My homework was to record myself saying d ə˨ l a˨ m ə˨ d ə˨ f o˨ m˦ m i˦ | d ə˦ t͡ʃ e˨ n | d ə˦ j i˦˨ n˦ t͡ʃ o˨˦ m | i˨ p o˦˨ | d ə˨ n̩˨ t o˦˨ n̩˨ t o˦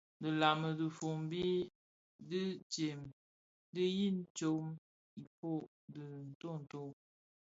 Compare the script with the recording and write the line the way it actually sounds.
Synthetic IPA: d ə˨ l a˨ m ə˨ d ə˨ f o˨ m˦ b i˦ | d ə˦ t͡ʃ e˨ m | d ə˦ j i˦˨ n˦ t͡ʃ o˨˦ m | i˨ p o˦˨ | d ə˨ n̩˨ t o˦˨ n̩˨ t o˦